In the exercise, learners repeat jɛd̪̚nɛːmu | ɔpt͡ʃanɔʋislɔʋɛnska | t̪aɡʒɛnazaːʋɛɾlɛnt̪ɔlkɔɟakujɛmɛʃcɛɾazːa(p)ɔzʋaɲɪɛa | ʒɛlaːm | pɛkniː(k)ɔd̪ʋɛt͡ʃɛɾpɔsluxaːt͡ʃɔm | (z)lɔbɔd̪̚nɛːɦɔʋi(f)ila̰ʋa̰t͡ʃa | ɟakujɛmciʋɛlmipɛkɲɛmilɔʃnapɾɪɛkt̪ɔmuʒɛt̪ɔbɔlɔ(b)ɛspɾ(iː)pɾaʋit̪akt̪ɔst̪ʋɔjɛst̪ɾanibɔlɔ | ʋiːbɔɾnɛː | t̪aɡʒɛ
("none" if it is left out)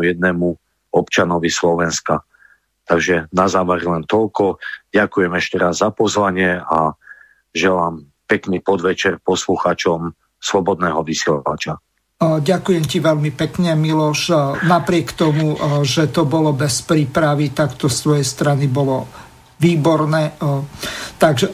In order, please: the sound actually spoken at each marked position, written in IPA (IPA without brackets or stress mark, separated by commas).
p, p, s, s, b, iː